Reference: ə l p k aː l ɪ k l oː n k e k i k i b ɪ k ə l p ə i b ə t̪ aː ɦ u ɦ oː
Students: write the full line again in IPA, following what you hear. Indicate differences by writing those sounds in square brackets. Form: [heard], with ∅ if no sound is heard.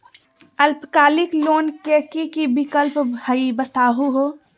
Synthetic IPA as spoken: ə l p k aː l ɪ k l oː n k e k i k i b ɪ k ə l p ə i b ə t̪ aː ɦ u ɦ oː